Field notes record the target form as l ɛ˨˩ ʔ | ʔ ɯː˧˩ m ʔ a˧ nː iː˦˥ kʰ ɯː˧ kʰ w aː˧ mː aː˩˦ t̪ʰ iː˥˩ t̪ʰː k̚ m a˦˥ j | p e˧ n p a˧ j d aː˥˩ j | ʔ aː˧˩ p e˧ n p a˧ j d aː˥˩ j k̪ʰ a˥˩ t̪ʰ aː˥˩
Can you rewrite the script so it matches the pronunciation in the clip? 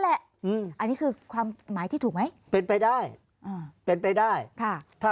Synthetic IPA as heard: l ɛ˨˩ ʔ | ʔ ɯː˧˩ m ʔ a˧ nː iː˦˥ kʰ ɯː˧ kʰ w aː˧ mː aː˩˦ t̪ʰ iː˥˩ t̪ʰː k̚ m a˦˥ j | p e˧ n p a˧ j d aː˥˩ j | ʔ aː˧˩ p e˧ n p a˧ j d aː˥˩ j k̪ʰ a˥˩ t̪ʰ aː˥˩